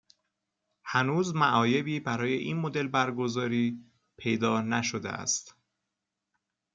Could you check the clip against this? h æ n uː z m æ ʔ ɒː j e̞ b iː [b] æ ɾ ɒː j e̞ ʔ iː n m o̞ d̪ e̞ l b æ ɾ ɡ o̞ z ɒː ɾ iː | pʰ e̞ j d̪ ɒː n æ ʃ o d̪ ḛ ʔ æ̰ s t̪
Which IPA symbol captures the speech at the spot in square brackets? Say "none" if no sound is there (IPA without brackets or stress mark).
b